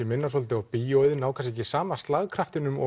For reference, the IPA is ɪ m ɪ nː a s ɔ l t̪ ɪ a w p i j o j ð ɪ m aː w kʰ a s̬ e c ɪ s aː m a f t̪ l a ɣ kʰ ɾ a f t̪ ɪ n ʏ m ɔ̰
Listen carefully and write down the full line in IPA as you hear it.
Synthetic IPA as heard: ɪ m ɪ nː a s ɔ l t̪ ɪ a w p i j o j ð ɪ n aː w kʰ a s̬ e c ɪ s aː m a s t̪ l a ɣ kʰ ɾ a f t̪ ɪ n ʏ m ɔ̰